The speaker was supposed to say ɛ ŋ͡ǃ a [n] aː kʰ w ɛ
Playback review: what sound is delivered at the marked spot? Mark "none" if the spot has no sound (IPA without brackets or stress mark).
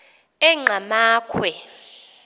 m